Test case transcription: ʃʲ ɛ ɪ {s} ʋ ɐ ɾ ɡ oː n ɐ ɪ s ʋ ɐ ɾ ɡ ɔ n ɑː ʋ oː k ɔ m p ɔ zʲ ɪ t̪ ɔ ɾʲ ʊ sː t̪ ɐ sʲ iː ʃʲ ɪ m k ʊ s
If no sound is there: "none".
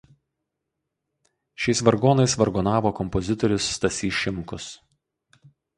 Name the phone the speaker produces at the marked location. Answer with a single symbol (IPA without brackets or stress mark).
s